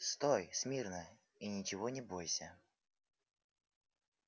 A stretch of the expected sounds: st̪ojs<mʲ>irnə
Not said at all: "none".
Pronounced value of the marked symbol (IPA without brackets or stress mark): mʲ